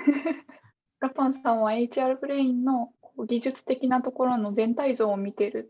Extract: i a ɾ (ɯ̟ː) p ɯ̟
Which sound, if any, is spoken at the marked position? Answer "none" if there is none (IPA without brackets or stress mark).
ɯ̟